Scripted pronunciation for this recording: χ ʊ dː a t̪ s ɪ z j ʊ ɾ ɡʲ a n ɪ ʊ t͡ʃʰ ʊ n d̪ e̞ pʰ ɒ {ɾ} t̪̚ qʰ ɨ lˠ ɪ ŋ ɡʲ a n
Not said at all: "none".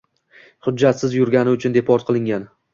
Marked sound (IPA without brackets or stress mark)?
ɾ